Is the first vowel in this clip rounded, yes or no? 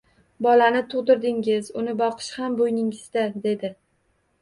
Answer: yes